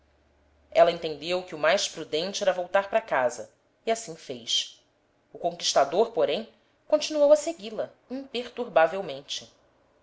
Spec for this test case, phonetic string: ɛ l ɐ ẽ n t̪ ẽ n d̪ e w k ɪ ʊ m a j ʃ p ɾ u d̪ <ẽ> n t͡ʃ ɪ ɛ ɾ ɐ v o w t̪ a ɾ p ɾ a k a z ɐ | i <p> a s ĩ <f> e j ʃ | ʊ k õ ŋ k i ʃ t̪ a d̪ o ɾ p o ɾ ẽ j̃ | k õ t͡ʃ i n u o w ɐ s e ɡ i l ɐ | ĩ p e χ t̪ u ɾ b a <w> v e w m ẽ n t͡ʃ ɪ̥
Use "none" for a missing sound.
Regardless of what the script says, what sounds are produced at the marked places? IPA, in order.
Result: ẽ, none, f, none

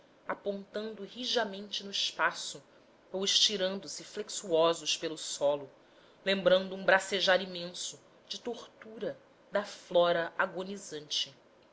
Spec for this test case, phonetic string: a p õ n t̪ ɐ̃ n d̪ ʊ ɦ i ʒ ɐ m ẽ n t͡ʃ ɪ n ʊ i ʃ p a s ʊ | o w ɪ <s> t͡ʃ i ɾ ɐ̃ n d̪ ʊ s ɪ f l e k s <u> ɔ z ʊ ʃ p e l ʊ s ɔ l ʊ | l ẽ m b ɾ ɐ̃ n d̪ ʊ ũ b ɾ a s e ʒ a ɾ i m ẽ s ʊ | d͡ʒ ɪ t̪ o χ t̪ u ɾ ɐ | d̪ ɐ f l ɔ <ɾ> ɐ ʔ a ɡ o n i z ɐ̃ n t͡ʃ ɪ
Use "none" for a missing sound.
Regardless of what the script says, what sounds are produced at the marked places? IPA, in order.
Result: ʃ, u, ɾ

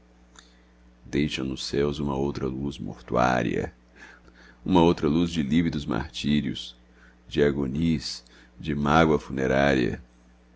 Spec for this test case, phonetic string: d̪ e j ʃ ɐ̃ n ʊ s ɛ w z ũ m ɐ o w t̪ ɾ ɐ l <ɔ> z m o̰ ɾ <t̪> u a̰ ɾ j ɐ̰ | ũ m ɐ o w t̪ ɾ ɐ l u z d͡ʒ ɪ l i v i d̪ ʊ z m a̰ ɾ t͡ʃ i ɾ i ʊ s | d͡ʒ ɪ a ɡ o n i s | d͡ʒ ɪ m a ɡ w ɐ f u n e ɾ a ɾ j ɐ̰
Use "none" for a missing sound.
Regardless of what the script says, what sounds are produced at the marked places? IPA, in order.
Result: u, t̪

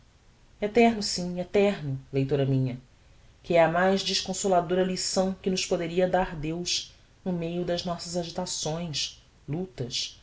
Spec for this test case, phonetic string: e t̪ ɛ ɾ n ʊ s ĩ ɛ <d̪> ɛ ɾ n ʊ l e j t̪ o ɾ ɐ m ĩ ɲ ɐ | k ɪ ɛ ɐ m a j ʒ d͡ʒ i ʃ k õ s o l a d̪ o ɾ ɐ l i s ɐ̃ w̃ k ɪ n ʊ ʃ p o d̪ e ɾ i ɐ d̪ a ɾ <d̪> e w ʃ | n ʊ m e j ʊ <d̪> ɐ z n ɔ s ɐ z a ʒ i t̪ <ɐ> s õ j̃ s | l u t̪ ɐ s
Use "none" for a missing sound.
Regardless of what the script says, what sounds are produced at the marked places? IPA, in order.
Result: t̪, d̪, d̪, a

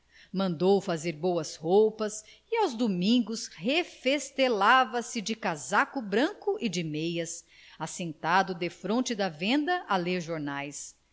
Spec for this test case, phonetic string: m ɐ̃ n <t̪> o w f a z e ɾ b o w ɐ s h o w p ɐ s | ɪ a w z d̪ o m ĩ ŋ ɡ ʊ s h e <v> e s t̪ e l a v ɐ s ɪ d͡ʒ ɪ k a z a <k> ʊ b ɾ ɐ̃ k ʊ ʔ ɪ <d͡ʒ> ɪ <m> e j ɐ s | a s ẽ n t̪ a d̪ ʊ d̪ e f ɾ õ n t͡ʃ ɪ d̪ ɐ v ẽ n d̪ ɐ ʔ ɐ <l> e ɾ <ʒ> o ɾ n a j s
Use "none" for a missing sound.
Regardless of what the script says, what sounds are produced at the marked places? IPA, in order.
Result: d̪, f, k, d͡ʒ, m, l, ʒ

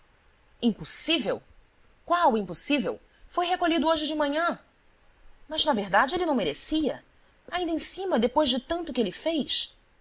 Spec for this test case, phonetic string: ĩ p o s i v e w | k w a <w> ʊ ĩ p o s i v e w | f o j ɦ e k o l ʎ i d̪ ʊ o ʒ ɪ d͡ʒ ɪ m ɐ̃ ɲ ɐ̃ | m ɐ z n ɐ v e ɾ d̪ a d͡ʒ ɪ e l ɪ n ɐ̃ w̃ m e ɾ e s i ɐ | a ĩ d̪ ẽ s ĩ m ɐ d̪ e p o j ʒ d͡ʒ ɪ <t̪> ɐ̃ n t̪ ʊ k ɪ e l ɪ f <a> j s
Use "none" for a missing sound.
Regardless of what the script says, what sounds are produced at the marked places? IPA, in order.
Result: w, t̪, e

